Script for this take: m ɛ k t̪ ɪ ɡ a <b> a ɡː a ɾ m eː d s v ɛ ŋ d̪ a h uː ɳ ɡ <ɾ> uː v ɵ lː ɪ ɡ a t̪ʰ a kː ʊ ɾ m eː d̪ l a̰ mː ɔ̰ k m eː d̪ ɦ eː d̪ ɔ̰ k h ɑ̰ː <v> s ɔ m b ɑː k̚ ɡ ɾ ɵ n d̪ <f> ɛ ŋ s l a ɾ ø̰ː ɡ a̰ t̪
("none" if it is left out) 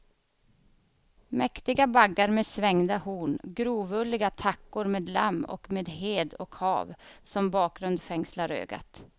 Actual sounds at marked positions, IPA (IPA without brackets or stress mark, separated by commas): b, ɾ, v, f